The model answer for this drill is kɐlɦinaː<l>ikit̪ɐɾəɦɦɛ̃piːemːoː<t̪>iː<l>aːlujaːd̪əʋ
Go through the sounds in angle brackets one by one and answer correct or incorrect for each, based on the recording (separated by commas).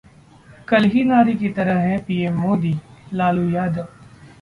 incorrect, incorrect, correct